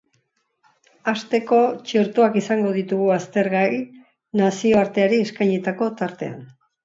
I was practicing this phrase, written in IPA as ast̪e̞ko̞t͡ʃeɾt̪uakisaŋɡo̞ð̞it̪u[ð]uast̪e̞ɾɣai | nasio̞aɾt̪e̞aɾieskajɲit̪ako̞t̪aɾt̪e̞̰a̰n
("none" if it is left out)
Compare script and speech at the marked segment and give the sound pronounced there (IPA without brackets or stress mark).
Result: ɣ